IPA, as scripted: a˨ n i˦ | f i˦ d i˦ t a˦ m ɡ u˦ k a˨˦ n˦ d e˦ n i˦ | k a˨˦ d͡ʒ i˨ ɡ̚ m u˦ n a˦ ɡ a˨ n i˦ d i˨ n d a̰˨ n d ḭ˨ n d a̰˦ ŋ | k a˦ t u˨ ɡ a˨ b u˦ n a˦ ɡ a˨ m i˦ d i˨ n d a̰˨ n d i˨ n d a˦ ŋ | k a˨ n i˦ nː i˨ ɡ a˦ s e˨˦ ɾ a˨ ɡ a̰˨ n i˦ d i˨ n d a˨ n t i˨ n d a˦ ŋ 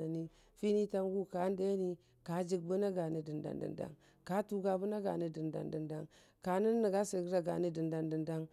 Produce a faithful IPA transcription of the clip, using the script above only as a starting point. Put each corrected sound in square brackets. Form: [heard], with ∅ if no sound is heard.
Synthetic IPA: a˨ n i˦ | f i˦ [n] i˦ t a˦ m ɡ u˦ k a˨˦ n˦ d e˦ n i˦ | k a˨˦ d͡ʒ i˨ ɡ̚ [b] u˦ n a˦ ɡ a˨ n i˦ d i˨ n d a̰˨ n d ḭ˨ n d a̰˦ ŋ | k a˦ t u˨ ɡ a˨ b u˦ n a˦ ɡ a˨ [n] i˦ d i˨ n d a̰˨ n d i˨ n d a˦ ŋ | k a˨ n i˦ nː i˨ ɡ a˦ s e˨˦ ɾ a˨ ɡ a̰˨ n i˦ d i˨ n d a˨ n [d] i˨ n d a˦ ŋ